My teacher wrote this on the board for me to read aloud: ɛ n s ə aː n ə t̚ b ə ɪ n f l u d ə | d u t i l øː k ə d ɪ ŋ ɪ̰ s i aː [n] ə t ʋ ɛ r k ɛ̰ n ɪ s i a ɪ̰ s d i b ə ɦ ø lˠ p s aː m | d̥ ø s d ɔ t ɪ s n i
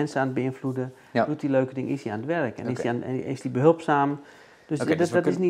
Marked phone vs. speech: correct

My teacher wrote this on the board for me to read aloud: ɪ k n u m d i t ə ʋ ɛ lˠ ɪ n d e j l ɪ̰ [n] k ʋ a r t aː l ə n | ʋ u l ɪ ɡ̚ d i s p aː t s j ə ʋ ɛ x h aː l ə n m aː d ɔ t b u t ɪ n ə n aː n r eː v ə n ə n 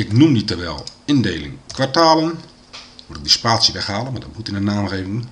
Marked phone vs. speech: incorrect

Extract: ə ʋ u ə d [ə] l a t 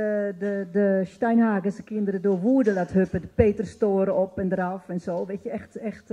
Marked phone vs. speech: correct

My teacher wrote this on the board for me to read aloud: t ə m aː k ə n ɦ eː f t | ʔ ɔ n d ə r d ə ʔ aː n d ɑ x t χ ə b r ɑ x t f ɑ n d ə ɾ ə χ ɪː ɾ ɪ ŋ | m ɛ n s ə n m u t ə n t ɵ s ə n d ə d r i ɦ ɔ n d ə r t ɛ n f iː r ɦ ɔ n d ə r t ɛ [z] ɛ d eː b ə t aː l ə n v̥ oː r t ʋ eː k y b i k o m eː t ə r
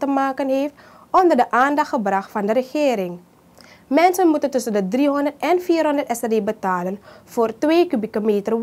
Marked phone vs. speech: incorrect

